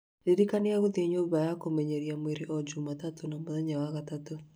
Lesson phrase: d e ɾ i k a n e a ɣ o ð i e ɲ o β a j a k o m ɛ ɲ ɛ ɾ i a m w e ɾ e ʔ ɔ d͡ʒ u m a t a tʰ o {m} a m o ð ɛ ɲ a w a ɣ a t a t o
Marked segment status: incorrect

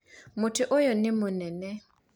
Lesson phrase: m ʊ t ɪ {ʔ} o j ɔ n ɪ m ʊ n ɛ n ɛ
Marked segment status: correct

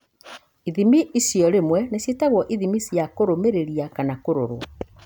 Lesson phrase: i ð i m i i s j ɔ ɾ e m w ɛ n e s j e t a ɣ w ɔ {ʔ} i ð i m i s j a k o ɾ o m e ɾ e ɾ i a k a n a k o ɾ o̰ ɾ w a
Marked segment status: correct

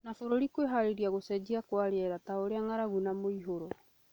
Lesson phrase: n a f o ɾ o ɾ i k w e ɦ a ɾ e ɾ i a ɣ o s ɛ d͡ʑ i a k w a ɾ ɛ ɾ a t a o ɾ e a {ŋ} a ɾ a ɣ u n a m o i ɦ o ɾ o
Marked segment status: correct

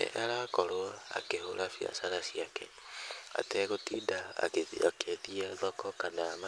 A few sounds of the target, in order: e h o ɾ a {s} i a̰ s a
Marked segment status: incorrect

